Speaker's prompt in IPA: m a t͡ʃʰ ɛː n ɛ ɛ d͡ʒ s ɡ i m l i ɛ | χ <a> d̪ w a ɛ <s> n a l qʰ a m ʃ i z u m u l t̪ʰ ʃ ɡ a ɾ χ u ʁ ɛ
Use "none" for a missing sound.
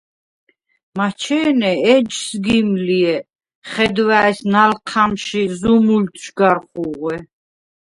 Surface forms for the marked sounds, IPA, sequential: ɛ, s

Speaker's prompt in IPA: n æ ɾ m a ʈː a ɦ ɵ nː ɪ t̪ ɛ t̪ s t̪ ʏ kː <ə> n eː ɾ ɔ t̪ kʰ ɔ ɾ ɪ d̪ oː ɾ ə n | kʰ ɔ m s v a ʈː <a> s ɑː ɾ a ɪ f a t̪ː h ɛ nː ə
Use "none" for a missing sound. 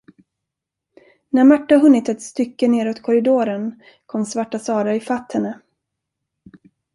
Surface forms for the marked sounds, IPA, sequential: ə, a

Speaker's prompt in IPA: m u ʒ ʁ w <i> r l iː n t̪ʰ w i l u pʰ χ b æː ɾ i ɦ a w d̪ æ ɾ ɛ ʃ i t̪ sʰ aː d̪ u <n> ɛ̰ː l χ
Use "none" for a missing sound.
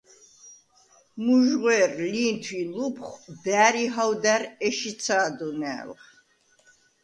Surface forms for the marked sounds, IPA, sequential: ɛ, n

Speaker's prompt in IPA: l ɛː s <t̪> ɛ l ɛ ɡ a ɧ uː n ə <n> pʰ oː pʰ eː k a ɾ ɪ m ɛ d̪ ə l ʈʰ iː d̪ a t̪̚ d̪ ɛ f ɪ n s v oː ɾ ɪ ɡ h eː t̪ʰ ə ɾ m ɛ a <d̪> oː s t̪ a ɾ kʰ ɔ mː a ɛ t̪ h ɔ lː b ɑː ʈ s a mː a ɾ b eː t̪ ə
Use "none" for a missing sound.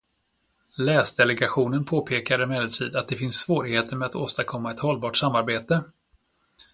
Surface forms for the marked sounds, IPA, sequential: d̪, n, t̪

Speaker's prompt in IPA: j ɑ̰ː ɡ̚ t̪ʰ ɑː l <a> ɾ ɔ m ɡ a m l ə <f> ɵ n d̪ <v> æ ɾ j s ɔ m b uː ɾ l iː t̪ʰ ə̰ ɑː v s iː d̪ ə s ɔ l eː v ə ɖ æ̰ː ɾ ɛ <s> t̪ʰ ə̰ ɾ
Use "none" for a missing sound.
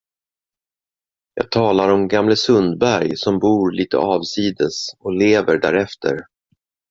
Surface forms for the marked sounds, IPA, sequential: a, s, b, f

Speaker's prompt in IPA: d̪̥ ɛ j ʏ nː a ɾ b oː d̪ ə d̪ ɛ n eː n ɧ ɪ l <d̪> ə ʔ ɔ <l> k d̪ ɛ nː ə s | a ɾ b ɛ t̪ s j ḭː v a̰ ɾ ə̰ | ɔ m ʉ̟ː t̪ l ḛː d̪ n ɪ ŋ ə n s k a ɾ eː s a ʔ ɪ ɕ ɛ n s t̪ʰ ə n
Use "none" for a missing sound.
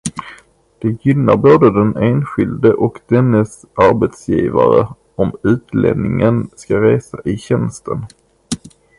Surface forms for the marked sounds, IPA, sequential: d̪, none

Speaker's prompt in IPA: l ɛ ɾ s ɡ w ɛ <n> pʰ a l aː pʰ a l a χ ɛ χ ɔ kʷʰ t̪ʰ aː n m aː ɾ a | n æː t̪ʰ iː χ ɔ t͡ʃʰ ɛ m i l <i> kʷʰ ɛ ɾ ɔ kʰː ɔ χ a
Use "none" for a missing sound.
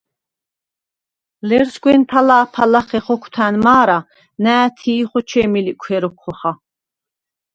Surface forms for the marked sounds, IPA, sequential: n, i

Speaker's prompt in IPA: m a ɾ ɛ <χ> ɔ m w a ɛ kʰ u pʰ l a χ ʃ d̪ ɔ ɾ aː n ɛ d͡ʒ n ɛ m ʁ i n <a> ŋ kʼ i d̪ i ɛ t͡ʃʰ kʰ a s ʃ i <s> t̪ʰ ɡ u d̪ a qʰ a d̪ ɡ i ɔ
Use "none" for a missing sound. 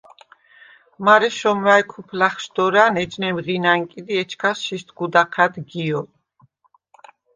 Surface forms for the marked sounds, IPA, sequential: ʃ, a, s

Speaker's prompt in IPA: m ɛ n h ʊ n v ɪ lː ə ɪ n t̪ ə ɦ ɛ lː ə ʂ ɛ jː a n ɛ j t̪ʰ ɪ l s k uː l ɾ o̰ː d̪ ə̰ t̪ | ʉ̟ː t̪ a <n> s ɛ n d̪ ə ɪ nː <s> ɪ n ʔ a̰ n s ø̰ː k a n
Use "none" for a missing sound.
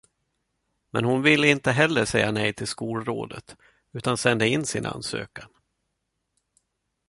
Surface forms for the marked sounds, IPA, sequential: n, s

